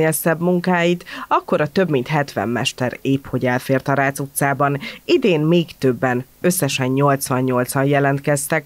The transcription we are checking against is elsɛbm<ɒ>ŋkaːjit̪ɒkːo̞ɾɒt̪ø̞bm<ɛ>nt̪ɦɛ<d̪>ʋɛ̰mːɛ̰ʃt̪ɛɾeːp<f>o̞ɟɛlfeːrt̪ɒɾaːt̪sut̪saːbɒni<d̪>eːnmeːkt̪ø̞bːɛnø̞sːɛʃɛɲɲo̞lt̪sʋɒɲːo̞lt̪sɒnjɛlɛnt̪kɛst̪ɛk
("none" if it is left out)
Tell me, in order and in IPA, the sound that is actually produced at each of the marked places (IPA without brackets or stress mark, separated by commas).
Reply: u, i, t̪, h, d̪